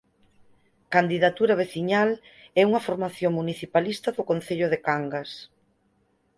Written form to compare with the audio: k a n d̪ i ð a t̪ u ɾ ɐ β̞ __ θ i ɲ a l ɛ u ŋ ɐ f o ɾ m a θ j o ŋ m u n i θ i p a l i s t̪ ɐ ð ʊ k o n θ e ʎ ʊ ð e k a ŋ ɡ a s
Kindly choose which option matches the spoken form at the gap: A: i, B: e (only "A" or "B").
B